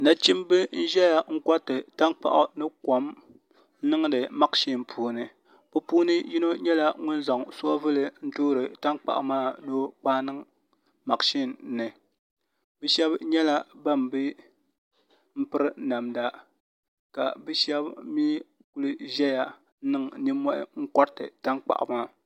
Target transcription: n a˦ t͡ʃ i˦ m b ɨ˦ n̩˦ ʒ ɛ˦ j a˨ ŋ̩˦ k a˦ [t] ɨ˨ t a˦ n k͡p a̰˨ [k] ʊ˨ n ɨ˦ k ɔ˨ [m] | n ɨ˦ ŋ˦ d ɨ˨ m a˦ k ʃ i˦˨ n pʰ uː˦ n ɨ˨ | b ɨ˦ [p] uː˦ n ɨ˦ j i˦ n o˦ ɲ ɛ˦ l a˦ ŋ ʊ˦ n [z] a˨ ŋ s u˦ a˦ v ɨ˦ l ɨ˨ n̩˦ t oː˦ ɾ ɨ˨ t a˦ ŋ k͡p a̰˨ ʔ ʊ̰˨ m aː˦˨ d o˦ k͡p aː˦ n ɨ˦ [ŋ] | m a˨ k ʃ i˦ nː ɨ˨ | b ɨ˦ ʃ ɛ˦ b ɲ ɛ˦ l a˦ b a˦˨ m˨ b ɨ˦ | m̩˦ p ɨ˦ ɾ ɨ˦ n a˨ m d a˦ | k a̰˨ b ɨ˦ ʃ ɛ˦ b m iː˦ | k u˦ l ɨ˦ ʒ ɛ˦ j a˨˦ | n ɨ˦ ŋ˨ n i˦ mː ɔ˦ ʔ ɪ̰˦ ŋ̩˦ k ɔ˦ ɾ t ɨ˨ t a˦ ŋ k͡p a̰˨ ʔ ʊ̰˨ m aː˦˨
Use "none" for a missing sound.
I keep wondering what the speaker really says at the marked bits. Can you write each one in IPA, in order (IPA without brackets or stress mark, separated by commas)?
t, ʔ, m, p, z, ŋ